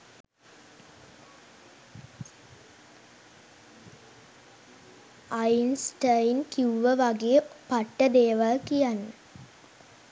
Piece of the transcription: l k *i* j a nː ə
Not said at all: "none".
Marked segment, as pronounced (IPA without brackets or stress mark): i